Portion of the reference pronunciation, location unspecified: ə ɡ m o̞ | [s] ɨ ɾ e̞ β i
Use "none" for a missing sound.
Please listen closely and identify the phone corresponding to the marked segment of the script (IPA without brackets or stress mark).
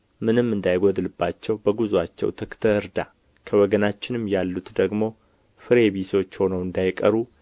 f